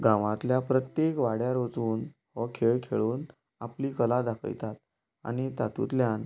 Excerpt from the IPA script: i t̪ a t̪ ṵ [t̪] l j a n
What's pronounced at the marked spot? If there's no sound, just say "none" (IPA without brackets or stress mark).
t̪